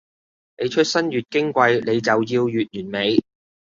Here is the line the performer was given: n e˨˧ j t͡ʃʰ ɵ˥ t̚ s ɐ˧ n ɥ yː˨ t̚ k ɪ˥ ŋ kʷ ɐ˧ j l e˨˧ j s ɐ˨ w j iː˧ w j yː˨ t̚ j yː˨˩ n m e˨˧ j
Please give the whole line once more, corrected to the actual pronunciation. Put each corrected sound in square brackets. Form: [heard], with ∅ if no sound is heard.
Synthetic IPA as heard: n e˨˧ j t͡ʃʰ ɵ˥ t̚ s [ɐ˥] n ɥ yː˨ t̚ k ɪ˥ ŋ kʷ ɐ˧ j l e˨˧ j [t͡s] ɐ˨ w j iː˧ w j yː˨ t̚ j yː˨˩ n m e˨˧ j